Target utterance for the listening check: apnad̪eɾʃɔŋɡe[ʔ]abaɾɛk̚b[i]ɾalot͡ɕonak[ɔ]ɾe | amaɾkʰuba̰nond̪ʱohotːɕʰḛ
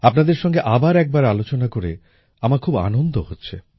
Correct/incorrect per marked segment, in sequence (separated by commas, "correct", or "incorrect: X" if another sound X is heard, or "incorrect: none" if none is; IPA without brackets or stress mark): correct, incorrect: a, incorrect: o